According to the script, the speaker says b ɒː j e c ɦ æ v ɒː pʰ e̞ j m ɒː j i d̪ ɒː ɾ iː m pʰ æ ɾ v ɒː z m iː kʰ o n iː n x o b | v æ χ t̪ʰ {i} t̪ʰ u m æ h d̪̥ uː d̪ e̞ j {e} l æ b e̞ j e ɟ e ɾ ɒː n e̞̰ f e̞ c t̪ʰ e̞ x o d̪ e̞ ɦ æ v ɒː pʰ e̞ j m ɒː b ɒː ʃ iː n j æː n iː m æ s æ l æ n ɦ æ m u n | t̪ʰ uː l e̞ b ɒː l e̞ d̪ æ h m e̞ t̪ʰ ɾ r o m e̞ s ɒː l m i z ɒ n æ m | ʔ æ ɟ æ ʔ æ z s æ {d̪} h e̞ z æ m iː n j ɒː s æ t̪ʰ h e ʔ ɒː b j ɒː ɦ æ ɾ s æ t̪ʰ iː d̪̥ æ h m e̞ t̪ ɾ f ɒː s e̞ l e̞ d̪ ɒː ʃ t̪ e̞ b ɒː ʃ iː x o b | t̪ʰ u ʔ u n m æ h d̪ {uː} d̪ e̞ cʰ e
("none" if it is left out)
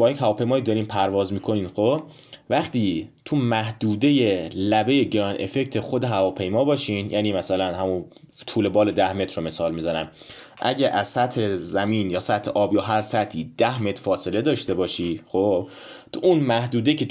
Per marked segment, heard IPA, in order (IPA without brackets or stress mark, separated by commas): iː, e, t̪, uː